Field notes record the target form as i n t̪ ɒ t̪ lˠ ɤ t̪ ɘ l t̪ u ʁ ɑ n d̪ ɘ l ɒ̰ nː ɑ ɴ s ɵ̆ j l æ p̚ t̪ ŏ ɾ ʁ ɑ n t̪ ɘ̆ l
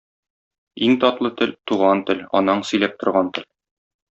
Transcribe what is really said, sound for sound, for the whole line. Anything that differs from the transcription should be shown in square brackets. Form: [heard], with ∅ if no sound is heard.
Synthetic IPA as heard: i [ŋ] t̪ ɒ t̪ lˠ ɤ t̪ ɘ l t̪ u ʁ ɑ n [t̪] ɘ l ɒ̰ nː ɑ ɴ s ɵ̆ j l æ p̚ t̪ ŏ ɾ ʁ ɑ n t̪ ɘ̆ l